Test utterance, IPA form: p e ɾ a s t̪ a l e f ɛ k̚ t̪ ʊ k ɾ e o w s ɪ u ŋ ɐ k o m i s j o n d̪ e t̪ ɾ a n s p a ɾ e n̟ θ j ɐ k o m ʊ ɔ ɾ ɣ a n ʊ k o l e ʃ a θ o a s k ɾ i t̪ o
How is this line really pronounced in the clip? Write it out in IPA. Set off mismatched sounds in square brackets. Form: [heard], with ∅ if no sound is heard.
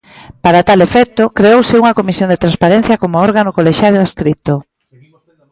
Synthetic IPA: p [a] ɾ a [∅] t̪ a l e f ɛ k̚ t̪ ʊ k ɾ e o w s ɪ u ŋ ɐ k o m i s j o n d̪ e t̪ ɾ a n s p a ɾ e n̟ θ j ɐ k o m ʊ ɔ ɾ ɣ a n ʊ k o l e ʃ a [ð] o a s k ɾ i t̪ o

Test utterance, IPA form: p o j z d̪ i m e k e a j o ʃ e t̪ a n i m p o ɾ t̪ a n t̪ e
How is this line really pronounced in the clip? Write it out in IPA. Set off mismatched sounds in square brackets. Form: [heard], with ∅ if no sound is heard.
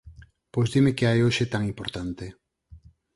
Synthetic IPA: p o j z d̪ i m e k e a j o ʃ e t̪ a [ŋ] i m p o ɾ t̪ a n t̪ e

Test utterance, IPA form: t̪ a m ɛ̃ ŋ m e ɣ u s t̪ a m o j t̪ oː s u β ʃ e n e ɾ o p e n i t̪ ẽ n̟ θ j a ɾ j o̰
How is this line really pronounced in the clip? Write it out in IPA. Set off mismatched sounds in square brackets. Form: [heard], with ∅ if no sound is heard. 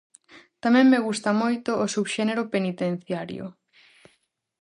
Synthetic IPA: t̪ a m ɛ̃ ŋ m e ɣ u s t̪ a m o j t̪ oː s u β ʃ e n e ɾ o p e n i t̪ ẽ n̟ θ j a ɾ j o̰

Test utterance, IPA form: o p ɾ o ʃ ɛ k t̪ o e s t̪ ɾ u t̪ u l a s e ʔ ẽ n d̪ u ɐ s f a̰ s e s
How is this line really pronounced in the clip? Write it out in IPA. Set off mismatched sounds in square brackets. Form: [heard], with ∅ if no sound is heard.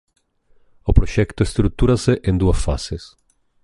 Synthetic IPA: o p ɾ o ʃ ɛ k t̪ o e s t̪ ɾ u t̪ u [ɾ] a s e ʔ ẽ n d̪ u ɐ s f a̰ s e s

